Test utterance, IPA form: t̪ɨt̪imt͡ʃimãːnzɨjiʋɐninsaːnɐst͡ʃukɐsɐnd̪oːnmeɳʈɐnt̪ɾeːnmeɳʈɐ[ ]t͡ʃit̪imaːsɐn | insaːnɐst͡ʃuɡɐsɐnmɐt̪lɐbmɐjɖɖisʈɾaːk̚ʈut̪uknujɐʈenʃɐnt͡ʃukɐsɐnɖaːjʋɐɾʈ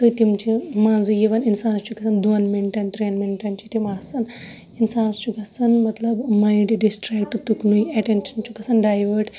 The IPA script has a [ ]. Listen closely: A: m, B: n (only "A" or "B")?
B